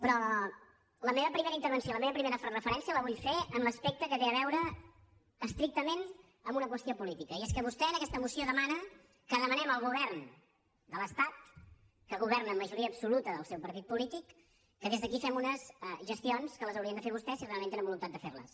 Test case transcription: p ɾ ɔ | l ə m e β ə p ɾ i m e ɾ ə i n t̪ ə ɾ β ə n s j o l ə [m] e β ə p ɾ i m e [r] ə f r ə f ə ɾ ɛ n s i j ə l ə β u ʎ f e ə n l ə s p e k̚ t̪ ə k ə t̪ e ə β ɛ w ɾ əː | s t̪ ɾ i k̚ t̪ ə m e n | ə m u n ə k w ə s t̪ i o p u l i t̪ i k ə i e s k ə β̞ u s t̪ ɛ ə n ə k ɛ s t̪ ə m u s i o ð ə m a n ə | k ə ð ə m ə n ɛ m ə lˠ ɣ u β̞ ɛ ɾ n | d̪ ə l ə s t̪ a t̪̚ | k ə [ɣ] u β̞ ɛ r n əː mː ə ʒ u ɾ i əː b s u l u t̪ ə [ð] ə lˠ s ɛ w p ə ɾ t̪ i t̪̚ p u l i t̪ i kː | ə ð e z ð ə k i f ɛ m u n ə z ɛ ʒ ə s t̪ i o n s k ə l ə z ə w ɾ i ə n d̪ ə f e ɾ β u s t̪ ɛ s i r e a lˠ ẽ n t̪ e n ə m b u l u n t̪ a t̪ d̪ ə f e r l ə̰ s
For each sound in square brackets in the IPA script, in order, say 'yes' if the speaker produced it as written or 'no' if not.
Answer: yes, no, yes, yes

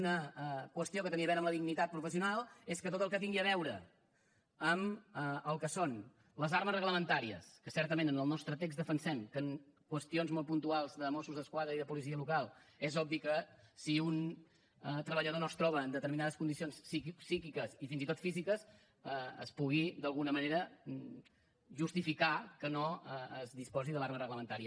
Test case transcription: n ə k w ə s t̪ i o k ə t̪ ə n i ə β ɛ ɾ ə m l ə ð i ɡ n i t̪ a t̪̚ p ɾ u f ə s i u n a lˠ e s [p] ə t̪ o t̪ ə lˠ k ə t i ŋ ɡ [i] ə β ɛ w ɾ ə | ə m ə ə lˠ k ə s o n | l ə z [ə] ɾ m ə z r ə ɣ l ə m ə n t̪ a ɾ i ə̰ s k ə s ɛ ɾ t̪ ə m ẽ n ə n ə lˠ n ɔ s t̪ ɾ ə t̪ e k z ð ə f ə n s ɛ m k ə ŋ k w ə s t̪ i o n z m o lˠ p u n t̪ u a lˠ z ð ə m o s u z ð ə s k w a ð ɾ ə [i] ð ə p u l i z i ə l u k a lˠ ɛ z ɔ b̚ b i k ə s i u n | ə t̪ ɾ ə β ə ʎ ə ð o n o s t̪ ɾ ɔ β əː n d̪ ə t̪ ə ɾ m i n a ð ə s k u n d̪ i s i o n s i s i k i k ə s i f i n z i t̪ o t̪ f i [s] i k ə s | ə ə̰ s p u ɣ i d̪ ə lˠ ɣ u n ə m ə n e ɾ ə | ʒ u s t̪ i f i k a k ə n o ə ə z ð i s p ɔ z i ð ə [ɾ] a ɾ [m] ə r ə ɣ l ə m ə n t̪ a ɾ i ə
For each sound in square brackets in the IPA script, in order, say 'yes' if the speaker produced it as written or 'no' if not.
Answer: no, yes, no, yes, no, no, yes

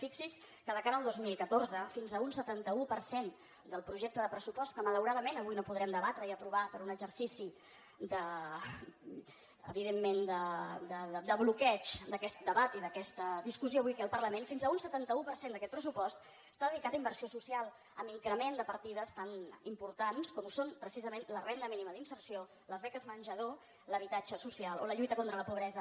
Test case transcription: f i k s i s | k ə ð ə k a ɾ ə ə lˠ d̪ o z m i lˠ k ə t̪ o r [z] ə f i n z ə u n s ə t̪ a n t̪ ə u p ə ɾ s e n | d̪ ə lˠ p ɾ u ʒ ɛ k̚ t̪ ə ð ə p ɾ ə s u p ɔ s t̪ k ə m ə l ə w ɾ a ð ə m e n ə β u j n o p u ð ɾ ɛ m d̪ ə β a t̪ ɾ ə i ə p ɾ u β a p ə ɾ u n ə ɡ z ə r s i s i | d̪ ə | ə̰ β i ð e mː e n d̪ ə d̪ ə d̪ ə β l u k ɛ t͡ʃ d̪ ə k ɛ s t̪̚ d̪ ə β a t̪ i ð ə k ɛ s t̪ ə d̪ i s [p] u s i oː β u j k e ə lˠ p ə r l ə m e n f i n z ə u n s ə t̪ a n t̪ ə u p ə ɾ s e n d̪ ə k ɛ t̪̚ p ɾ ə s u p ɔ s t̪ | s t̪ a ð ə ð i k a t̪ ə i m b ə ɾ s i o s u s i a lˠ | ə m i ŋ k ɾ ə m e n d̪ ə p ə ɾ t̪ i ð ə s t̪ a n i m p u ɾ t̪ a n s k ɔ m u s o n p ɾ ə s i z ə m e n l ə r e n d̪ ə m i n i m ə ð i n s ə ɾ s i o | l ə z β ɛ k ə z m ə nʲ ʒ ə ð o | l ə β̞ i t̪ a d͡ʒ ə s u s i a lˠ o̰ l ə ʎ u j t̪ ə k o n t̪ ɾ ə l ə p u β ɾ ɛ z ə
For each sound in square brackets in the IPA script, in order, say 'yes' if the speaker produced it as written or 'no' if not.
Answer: yes, no

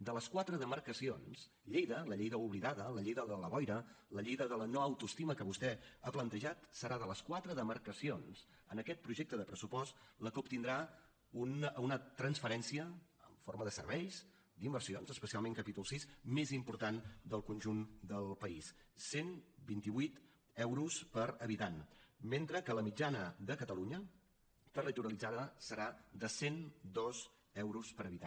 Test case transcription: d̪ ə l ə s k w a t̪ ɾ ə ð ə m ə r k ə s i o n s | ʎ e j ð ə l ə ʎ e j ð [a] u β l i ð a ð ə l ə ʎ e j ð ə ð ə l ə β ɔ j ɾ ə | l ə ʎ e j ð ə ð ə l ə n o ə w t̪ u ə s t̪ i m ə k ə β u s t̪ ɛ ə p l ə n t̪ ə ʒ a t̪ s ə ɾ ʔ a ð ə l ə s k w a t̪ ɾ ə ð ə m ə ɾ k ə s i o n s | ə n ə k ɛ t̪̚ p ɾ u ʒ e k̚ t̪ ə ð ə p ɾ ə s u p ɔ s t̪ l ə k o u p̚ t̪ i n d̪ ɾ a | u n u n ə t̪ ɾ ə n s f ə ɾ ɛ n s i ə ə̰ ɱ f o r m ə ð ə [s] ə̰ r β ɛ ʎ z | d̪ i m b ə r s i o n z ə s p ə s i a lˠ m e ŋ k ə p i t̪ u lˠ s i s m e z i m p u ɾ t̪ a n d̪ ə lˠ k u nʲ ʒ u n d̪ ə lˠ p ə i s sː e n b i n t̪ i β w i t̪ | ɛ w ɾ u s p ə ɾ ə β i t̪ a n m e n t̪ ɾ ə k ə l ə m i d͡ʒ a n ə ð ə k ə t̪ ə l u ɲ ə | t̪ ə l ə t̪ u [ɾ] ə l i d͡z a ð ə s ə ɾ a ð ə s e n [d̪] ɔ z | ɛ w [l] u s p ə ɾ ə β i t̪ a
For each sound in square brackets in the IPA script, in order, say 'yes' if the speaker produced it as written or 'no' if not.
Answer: no, yes, yes, yes, no

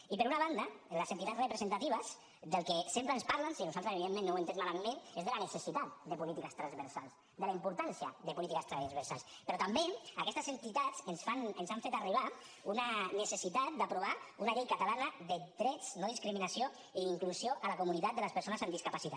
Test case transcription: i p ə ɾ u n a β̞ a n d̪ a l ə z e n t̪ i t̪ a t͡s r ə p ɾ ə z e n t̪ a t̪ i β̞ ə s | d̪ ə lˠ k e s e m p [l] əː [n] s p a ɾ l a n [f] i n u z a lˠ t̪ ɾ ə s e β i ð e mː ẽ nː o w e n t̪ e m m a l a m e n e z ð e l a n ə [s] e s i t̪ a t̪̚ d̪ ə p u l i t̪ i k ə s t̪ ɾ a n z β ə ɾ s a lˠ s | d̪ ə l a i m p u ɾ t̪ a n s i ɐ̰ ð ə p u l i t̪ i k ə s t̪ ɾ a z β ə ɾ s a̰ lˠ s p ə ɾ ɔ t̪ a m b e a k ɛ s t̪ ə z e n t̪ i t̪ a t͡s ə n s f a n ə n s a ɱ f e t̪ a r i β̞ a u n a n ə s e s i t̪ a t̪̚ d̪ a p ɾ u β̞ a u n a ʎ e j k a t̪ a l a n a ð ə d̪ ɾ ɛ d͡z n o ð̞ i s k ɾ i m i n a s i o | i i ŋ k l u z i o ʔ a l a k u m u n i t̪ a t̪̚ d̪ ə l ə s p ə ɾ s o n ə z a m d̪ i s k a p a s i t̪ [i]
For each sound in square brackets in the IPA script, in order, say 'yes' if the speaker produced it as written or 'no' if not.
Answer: no, yes, no, yes, no

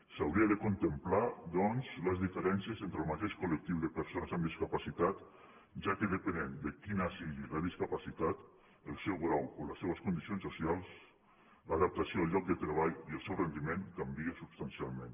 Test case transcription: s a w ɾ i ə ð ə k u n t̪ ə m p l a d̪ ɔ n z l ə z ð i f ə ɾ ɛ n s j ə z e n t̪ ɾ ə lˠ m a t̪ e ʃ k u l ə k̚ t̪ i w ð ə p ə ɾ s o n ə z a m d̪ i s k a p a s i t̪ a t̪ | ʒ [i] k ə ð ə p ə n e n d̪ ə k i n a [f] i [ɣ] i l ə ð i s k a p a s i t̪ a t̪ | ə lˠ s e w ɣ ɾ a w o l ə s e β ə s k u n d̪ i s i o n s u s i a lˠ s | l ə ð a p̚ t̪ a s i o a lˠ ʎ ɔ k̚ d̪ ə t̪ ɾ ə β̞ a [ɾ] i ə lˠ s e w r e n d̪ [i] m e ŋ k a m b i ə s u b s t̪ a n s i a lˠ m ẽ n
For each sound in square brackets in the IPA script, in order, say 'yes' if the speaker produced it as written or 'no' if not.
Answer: no, no, yes, no, yes

